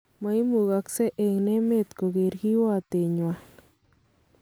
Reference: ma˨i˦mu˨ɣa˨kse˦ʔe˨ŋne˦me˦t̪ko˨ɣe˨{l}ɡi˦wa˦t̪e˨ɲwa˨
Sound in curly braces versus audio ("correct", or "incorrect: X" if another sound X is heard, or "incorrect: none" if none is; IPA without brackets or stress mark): incorrect: ɾ